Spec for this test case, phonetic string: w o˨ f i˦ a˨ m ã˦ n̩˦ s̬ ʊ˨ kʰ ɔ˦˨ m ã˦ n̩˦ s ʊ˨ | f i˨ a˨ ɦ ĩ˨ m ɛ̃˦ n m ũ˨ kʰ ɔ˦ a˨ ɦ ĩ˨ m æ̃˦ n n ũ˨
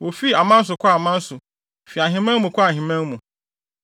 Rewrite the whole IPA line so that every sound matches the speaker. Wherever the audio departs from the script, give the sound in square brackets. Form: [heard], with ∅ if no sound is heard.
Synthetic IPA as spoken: w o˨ f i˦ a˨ m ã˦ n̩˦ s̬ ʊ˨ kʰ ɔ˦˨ m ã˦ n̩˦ s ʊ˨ | f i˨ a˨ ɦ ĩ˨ m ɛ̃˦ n m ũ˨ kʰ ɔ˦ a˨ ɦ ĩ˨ m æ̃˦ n [m] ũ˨